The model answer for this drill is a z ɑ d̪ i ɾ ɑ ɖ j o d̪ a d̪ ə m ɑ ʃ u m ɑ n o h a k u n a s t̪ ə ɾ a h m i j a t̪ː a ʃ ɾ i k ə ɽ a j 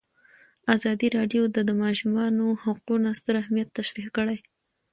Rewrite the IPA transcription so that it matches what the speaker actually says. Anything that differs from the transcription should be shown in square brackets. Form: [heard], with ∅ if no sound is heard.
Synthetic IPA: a z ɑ d̪ i ɾ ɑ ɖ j o d̪ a d̪ ə m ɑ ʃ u m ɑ n o h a [q] u n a s t̪ ə ɾ a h m i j a t̪ː a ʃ ɾ i k ə ɽ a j